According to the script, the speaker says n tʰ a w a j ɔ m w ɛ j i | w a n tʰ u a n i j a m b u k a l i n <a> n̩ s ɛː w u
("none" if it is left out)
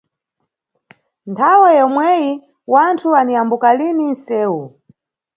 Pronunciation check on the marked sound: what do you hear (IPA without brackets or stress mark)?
i